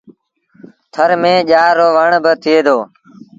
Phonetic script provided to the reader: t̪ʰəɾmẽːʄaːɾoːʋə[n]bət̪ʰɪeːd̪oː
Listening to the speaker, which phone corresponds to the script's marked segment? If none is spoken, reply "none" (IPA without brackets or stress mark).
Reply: ɳ